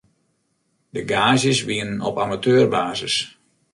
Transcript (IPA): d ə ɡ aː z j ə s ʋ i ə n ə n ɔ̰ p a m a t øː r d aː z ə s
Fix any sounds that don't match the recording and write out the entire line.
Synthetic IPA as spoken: d ə ɡ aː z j ə s ʋ i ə n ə n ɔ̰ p a m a t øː r b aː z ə s